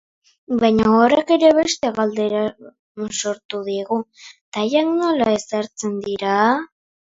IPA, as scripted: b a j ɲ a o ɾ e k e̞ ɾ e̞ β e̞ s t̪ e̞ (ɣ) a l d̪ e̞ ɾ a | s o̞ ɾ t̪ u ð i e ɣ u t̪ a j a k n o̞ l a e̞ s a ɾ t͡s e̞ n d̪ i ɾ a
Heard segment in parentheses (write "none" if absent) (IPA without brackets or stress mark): ɣ